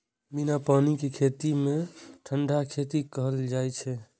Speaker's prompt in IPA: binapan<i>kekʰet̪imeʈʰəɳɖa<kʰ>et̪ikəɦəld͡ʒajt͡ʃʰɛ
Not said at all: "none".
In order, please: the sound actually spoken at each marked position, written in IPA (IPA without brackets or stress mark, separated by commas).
i, kʰ